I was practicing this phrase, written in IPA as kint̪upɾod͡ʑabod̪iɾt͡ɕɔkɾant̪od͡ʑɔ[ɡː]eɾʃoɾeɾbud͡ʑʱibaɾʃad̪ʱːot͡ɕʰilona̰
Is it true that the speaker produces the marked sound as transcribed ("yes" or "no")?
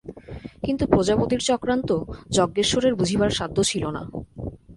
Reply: yes